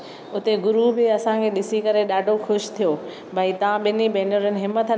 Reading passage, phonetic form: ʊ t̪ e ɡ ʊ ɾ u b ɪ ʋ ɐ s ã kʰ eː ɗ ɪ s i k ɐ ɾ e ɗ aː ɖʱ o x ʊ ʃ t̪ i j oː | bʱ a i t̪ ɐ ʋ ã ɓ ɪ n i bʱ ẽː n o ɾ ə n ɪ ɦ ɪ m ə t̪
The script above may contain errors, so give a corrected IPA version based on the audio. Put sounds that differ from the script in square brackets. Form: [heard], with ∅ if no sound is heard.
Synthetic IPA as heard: ʊ t̪ e ɡ ʊ ɾ u b ɪ [∅] ɐ s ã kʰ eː ɗ ɪ s i k ɐ ɾ e ɗ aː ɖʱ o x ʊ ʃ [t̪ʰ] i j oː | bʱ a i t̪ ɐ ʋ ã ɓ ɪ n i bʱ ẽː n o ɾ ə n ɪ ɦ ɪ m ə t̪